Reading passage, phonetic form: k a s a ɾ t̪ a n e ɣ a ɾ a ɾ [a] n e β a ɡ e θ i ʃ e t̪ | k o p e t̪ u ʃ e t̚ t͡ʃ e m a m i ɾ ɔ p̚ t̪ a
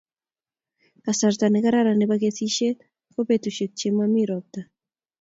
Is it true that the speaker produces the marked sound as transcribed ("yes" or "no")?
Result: yes